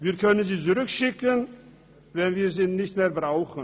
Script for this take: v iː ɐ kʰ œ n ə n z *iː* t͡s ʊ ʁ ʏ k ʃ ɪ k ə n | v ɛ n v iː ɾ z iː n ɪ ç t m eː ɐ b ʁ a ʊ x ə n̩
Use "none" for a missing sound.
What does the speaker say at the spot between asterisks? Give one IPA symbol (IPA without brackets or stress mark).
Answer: iː